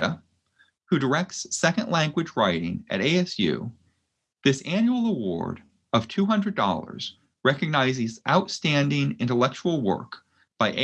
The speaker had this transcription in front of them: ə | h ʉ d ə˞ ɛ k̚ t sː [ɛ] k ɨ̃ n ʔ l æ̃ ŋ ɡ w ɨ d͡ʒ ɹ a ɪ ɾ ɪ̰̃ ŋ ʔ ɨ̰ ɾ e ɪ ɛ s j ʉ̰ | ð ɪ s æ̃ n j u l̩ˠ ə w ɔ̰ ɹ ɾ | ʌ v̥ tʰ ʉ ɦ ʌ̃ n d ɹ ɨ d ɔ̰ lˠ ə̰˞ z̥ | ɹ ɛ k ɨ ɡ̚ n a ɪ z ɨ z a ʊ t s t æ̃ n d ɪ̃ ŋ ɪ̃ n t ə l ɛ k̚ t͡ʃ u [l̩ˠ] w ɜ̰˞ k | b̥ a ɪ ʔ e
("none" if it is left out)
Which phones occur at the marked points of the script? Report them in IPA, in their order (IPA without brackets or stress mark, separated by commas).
ɛ, l̩ˠ